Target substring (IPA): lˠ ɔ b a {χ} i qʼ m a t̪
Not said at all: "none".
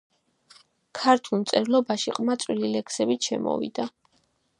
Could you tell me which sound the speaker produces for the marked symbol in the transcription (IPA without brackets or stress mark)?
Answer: ʃ